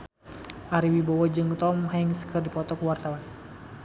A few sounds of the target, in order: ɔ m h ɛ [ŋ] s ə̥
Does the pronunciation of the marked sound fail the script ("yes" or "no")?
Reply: no